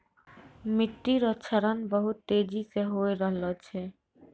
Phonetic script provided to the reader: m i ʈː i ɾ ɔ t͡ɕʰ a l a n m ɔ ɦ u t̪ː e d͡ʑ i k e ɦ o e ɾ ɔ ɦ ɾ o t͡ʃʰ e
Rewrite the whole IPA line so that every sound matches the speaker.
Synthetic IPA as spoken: m i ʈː i ɾ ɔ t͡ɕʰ a ɾ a n b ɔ ɦ u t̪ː e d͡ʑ i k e ɦ o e ɾ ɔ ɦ l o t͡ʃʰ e

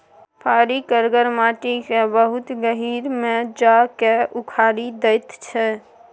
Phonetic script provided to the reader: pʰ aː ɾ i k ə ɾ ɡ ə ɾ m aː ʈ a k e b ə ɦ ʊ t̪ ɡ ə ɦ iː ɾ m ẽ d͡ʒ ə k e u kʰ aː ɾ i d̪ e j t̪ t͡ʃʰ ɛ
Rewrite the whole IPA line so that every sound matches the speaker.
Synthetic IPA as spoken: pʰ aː ɾ i k ə ɾ ɡ ə ɾ m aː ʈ i k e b ə ɦ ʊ t̪ ɡ ə ɦ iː ɾ m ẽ d͡ʒ a k e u kʰ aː ɾ i d̪ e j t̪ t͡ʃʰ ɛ

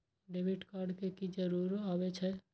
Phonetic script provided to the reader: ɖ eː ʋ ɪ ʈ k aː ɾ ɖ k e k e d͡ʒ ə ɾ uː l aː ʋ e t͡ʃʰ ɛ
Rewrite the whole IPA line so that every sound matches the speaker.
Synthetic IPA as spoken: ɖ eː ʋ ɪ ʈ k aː ɾ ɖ k e k i d͡ʒ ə ɾ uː ɾ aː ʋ e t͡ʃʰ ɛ

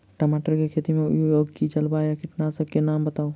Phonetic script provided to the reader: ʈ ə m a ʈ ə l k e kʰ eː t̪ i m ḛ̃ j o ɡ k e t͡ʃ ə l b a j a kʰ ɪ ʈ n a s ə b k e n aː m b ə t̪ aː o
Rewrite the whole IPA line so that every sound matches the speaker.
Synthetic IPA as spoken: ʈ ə m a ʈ ə ɾ k e kʰ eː t̪ i m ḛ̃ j o ɡ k i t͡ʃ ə l b a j a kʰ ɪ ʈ n a s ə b k e n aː m b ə t̪ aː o

